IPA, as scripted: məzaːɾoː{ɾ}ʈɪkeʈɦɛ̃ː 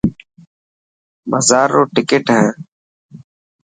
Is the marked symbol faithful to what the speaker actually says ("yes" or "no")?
no